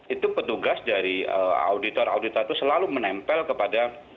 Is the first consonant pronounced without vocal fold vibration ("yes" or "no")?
yes